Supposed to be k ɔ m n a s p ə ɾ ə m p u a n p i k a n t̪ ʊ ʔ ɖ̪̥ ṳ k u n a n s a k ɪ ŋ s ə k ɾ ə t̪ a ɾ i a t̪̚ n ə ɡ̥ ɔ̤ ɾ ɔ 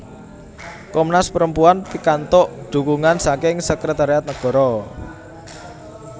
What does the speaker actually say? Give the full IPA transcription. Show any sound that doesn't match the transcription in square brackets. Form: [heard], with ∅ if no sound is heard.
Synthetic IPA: k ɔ m n a s p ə ɾ ə m p u a n p i k a n t̪ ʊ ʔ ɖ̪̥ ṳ k u [ŋ] a n s a k ɪ ŋ s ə k ɾ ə t̪ a ɾ i a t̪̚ n ə ɡ̥ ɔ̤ ɾ ɔ